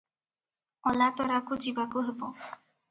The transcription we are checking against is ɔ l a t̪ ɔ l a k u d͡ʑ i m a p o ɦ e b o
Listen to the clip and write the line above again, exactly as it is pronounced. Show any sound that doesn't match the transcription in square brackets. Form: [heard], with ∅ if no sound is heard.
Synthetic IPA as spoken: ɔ l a t̪ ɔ [ɾ] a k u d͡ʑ i [b] a [k] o ɦ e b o

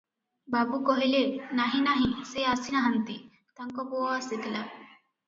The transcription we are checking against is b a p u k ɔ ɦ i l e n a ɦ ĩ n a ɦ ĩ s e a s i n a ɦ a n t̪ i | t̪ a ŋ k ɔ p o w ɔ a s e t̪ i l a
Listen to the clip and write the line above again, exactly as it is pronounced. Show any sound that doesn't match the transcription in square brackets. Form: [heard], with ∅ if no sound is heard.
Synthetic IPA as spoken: b a [b] u k ɔ ɦ i l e n a ɦ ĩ n a ɦ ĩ s e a s i n a ɦ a n t̪ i | t̪ a ŋ k ɔ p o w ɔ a s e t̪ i l a

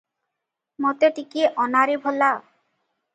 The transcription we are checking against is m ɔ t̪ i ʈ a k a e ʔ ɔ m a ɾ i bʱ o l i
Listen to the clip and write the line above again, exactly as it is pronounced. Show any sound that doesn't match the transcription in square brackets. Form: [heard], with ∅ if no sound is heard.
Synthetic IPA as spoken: m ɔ t̪ [e] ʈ [i] k [i] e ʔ ɔ [n] a ɾ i bʱ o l [a]

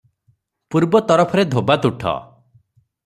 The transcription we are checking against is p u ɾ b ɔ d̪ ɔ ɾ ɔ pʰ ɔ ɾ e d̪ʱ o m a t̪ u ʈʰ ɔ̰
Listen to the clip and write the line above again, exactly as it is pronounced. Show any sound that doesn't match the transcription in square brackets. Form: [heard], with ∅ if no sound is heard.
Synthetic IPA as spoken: p u ɾ b ɔ [t̪] ɔ ɾ ɔ pʰ ɔ ɾ e d̪ʱ o [b] a t̪ u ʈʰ ɔ̰

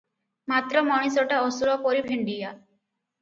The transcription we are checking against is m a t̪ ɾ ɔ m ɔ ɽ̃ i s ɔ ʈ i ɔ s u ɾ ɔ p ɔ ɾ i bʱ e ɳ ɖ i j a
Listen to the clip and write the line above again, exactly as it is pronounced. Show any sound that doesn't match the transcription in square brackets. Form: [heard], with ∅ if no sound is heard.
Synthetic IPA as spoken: m a t̪ ɾ ɔ m ɔ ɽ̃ i s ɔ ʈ [a] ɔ s u ɾ ɔ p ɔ ɾ i bʱ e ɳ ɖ i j a

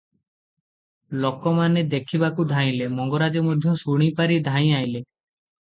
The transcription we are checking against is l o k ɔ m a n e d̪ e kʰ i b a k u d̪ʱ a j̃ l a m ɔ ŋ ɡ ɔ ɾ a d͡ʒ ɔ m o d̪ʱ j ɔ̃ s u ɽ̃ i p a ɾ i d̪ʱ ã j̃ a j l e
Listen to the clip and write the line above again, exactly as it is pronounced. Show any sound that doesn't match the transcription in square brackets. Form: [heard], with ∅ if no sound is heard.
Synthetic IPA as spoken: l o k ɔ m a n e d̪ e kʰ i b a k u d̪ʱ a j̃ l [e] m ɔ ŋ ɡ ɔ ɾ a d͡ʒ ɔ m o d̪ʱ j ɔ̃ s u ɽ̃ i p a ɾ i d̪ʱ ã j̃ a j l e

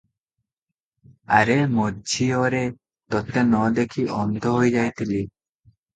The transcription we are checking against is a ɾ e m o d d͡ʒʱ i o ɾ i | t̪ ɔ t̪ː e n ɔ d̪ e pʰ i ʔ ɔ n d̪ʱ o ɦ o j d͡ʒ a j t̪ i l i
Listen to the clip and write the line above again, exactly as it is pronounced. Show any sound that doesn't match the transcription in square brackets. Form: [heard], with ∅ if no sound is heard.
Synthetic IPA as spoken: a ɾ e m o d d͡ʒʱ i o ɾ [e] | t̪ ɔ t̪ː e n ɔ d̪ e [kʰ] i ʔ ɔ n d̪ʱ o ɦ o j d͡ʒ a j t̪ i l i

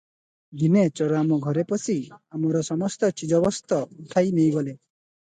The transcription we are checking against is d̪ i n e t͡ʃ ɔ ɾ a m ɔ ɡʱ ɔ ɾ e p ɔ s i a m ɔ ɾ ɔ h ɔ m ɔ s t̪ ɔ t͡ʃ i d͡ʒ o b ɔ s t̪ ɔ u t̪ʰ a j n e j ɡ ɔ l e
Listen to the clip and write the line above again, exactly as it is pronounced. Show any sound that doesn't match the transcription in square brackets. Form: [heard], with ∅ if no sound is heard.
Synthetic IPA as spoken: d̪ i n e t͡ʃ ɔ ɾ a m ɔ ɡʱ ɔ ɾ e p ɔ s i a m ɔ ɾ ɔ [s] ɔ m ɔ s t̪ ɔ t͡ʃ i d͡ʒ [ɔ] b ɔ s t̪ ɔ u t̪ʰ a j n e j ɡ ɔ l e

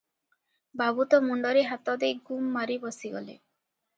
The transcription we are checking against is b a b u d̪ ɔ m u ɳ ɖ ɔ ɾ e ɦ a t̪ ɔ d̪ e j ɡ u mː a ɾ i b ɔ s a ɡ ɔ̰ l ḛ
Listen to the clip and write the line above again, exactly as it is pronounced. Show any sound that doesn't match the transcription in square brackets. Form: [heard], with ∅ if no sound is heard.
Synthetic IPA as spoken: b a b u [t̪] ɔ m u ɳ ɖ ɔ ɾ e ɦ a t̪ ɔ d̪ e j ɡ u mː a ɾ i b ɔ s [i] ɡ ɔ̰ l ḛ

